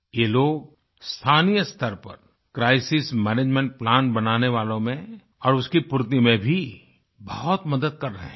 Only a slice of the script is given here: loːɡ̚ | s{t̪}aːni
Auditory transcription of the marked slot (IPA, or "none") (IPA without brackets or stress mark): t̪ʰ